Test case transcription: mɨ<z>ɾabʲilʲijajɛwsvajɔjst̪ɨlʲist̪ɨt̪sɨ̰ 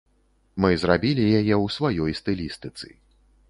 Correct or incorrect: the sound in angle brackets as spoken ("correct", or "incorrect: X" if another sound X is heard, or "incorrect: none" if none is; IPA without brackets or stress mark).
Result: correct